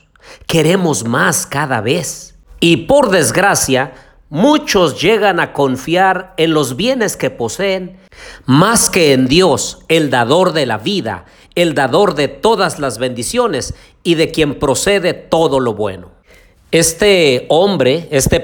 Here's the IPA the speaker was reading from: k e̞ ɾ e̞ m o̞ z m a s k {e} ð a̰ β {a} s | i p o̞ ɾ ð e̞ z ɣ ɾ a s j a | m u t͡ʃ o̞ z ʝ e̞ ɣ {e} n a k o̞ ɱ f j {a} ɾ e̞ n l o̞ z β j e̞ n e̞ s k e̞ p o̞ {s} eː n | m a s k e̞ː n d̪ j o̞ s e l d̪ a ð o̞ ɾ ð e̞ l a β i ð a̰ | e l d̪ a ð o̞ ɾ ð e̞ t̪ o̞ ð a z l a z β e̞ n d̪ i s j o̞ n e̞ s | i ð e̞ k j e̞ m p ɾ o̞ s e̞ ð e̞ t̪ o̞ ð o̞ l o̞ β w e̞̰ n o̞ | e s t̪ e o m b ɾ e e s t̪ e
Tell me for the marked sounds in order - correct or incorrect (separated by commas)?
incorrect, incorrect, incorrect, correct, correct